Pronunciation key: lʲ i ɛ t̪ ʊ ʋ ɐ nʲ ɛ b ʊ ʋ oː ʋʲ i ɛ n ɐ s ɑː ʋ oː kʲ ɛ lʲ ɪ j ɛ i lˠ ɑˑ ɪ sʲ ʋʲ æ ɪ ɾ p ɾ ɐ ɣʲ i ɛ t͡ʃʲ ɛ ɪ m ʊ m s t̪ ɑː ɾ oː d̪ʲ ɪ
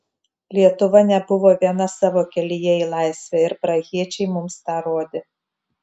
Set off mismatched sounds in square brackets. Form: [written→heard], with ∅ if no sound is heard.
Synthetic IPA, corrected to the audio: lʲ i ɛ t̪ ʊ ʋ ɐ nʲ ɛ b ʊ ʋ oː ʋʲ i ɛ n ɐ s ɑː ʋ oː kʲ ɛ lʲ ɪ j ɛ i lˠ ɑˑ ɪ sʲ ʋʲ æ ɪ ɾ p ɾ ɐ ɣʲ i ɛ t͡ʃʲ ɛ ɪ m ʊ m s t̪ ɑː ɾ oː d̪ʲ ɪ